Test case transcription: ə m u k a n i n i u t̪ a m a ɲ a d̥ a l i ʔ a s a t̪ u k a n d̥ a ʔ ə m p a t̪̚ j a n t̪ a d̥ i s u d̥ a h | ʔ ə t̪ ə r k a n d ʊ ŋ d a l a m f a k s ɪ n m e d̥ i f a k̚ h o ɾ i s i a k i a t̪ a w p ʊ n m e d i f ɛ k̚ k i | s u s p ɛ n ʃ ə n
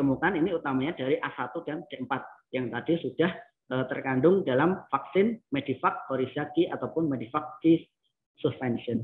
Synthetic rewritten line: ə m u k a n i n i u t̪ a m a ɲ a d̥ a ɾ i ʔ a s a t̪ u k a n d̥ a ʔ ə m p a t̪̚ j a ŋ t̪ a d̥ i s u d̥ a h | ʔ ə t̪ ə r k a n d ʊ ŋ d a l a m f a k s ɪ n m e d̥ i f a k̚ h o ɾ i s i a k i a t̪ a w p ʊ n m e d i f a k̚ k i | s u s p ɛ n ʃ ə n